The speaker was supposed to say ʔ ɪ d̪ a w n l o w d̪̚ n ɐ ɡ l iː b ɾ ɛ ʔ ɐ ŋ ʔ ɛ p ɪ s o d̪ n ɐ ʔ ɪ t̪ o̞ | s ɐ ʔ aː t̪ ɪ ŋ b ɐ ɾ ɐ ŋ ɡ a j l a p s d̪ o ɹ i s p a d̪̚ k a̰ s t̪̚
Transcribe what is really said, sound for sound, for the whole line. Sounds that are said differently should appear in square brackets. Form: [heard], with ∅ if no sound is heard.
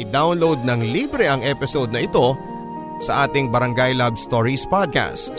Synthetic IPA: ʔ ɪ d̪ a w n l o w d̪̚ n ɐ [ŋ] l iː b ɾ ɛ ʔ ɐ ŋ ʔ ɛ p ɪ s o d̪ n ɐ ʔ ɪ t̪ o̞ | s ɐ ʔ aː t̪ ɪ ŋ b ɐ ɾ ɐ ŋ ɡ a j l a [b] s [t̪] o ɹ i s p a d̪̚ k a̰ s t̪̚